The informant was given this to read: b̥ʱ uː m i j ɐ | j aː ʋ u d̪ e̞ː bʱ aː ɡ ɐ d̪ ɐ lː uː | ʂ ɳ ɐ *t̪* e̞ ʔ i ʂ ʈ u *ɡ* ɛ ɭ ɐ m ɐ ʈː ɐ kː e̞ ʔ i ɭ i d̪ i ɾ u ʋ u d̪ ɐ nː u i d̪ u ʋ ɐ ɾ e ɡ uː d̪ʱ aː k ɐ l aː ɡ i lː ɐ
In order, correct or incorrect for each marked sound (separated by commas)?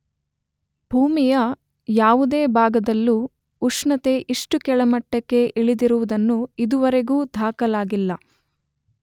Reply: correct, incorrect